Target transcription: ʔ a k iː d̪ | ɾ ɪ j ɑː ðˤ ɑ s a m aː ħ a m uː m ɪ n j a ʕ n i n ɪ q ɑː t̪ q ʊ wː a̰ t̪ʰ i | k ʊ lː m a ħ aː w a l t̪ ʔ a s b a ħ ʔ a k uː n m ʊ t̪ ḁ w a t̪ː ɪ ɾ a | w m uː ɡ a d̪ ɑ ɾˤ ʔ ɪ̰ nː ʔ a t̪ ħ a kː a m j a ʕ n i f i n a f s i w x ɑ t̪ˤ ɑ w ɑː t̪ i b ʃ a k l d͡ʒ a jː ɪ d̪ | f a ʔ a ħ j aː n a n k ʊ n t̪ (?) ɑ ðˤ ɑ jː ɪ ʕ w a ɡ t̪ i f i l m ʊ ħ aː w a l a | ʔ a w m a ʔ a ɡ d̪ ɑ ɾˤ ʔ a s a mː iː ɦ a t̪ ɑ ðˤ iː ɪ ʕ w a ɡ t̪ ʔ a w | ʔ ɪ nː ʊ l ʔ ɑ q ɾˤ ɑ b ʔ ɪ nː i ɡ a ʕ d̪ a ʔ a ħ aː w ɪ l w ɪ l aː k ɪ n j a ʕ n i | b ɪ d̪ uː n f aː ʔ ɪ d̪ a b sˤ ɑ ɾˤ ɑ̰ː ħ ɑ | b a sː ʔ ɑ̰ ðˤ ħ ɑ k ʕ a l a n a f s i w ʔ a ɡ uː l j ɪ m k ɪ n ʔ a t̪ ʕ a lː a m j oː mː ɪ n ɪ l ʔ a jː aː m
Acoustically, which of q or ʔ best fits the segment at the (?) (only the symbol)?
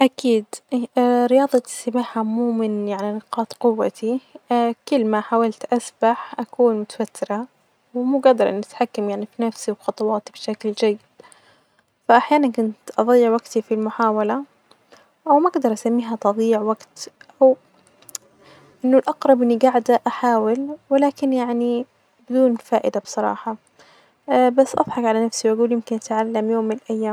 ʔ